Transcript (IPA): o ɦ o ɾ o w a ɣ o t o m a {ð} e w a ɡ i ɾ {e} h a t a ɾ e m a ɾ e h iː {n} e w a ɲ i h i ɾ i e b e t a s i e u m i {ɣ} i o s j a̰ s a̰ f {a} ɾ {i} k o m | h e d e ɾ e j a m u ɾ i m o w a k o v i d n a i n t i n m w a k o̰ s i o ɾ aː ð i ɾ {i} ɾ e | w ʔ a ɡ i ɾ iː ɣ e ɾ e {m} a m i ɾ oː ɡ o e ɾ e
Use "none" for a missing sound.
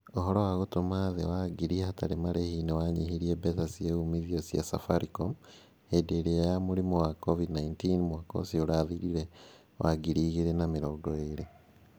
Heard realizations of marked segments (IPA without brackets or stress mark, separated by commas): ð, i, n, ð, a, i, i, n